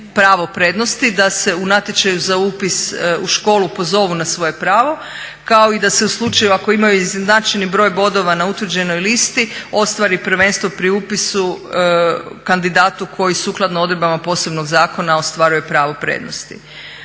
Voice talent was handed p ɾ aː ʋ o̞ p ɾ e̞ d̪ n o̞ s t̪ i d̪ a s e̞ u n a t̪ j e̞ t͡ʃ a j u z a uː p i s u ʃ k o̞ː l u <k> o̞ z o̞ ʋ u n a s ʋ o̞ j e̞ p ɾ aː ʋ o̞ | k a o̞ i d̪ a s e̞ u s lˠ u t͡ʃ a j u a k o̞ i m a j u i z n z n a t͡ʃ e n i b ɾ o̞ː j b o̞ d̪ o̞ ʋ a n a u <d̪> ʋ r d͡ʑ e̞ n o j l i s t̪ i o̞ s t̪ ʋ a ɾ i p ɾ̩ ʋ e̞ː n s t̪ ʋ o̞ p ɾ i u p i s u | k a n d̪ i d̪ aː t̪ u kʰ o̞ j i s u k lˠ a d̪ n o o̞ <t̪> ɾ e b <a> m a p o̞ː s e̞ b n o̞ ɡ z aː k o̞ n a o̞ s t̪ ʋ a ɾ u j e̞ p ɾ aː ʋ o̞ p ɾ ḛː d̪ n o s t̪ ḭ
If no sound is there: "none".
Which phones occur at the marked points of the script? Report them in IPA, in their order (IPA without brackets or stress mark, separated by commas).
p, t̪, d̪, a